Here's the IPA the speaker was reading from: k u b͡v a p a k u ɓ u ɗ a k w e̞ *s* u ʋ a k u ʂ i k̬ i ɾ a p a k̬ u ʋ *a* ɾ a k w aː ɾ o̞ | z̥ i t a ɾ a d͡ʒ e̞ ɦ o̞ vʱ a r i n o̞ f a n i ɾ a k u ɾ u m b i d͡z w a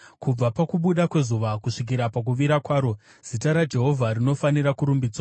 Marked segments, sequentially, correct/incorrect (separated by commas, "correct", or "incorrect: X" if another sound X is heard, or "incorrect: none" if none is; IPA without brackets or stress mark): incorrect: z, incorrect: i